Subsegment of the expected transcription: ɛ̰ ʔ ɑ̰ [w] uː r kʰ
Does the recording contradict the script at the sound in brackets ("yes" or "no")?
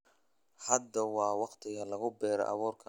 yes